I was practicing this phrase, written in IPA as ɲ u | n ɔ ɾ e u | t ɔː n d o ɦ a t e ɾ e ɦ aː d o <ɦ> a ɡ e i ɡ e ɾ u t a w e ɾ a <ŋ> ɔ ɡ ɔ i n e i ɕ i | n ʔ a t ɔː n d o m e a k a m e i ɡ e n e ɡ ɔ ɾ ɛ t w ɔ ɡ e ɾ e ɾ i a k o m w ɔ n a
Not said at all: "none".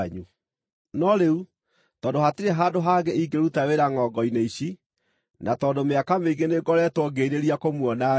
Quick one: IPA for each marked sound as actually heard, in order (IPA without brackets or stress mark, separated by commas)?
ɦ, ŋ